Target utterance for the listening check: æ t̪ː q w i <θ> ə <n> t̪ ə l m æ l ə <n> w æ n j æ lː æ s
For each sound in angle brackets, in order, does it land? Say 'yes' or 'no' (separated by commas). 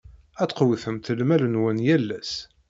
yes, no, yes